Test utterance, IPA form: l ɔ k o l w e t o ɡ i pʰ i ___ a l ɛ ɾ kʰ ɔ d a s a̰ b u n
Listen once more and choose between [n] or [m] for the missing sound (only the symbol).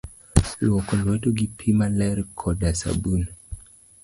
m